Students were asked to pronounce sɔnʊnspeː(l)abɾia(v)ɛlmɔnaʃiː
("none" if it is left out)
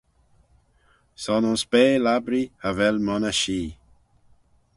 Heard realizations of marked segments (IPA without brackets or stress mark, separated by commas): l, v